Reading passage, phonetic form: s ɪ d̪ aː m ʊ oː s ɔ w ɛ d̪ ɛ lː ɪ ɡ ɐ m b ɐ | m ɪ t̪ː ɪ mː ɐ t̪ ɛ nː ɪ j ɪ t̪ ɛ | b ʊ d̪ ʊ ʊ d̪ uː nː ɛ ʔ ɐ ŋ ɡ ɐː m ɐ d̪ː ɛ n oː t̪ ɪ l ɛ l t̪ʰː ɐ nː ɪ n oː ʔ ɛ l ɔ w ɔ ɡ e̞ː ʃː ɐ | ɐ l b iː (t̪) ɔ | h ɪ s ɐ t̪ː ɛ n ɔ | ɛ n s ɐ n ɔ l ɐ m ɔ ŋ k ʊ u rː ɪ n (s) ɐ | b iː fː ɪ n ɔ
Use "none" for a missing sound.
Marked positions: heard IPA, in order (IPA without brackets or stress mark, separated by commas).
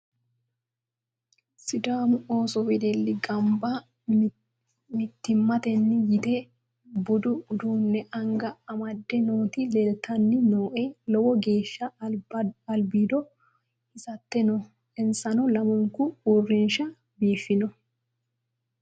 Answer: d̪, ʃ